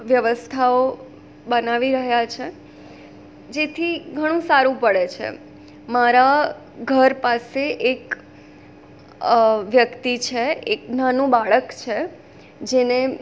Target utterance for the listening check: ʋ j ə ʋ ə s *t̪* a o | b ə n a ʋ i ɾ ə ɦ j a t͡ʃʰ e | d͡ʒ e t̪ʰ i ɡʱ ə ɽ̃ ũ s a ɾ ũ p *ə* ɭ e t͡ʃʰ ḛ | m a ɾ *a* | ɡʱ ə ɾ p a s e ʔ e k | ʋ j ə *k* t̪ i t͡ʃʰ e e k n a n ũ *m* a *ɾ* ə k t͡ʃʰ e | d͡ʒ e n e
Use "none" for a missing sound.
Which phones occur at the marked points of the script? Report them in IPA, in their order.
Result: t̪ʰ, ə, a, k, b, ɭ

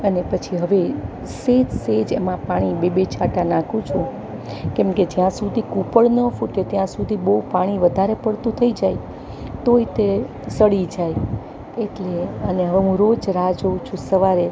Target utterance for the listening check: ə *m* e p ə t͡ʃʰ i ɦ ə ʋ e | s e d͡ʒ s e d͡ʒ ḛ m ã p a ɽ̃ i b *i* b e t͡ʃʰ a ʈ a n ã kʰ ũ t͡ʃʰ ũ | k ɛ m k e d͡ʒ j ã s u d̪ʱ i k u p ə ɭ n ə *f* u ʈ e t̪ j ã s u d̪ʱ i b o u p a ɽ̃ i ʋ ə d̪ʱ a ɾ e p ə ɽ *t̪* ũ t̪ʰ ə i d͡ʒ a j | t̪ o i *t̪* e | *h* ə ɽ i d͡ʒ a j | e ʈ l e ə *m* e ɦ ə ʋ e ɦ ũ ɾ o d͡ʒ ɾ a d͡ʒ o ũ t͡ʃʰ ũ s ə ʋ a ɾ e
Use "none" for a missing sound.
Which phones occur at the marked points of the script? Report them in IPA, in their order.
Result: n, e, f, t̪, t̪, s, n

